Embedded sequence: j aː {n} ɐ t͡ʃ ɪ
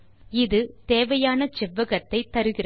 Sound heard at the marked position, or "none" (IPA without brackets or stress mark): n